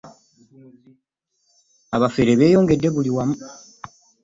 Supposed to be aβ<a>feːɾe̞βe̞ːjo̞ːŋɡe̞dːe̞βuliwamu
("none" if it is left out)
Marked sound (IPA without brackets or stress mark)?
a